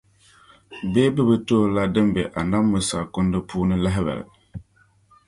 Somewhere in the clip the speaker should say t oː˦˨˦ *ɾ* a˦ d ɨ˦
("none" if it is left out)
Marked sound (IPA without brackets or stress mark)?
l